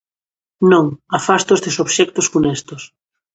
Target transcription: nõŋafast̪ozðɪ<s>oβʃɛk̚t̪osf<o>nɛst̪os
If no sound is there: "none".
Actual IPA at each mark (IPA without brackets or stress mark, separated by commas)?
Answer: s, u